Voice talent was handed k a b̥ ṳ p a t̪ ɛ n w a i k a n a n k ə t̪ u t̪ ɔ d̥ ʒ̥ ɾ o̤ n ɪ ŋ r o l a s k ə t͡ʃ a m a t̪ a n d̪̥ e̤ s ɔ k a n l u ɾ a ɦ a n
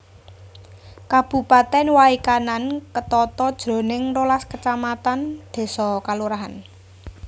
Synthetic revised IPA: k a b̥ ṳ p a t̪ ɛ n w a i k a n a n k ə t̪ ɔ t̪ ɔ d̥ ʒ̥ ɾ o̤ n ɪ ŋ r o l a s k ə t͡ʃ a m a t̪ a n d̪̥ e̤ s ɔ k a l u ɾ a ɦ a n